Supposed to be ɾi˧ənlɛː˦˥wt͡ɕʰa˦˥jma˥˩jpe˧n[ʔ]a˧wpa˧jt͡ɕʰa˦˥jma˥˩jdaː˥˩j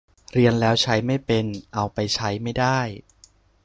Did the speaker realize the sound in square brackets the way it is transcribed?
yes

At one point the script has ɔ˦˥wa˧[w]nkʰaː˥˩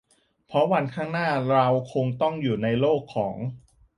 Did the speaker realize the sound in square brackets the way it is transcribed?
no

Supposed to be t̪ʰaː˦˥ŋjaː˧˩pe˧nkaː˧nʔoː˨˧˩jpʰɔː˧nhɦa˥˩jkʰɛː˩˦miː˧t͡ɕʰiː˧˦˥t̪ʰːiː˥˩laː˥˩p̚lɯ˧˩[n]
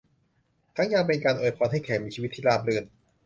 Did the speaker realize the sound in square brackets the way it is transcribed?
yes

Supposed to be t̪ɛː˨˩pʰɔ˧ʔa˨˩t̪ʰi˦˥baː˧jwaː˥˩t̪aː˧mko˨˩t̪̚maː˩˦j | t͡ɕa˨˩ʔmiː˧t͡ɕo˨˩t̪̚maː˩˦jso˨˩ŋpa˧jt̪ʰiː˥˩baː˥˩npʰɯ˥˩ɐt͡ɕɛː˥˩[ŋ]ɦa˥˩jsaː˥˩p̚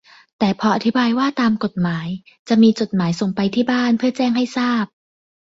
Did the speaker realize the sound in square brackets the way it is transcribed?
yes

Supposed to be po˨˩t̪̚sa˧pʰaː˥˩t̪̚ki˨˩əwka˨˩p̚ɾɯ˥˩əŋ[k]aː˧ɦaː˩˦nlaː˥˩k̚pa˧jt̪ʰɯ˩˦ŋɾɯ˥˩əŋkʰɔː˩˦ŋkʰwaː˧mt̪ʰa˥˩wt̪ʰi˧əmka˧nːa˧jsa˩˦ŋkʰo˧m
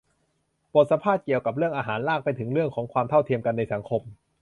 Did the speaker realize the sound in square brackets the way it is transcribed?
no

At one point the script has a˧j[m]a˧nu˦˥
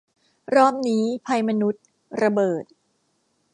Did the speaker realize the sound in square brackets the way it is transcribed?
yes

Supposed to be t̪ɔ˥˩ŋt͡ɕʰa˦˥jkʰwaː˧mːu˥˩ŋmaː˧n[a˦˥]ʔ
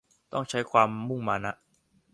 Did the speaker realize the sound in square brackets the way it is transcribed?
yes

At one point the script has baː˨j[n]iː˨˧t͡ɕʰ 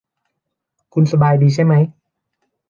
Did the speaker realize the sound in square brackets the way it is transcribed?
no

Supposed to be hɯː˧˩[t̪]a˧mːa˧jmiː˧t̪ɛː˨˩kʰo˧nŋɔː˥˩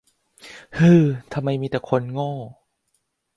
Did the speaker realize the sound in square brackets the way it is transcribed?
no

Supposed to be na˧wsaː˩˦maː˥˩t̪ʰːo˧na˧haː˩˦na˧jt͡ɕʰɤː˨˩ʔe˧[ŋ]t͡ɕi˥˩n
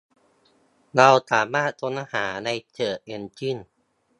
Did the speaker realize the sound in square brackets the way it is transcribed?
no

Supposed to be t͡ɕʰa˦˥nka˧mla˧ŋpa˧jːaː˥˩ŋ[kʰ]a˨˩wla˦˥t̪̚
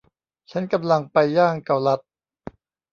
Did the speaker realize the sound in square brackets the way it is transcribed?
no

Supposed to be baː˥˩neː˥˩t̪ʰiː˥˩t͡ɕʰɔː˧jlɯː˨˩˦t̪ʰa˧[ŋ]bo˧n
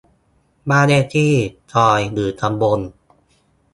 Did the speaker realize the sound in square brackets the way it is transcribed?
no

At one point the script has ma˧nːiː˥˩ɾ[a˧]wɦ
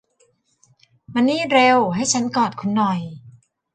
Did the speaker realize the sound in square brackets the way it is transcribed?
no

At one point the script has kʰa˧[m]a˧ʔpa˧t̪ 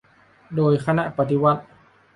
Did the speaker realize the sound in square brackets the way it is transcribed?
no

